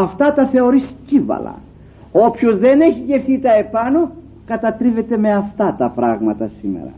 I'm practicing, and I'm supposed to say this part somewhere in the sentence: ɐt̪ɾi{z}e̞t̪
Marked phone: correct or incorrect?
incorrect